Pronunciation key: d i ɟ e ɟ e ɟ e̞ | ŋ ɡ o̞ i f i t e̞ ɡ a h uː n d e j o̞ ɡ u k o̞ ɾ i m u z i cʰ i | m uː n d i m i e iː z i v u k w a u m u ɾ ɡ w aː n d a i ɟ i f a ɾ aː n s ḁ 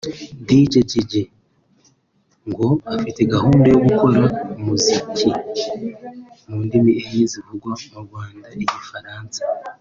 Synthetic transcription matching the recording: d i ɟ e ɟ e ɟ e̞ | ŋ ɡ o̞ a f i t e̞ ɡ a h uː n d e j o̞ ɡ u k o̞ ɾ a m u z i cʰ i | m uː n d i m i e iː z i v u ɡ w a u m u ɾ ɡ w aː n d a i ɟ i f a ɾ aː n s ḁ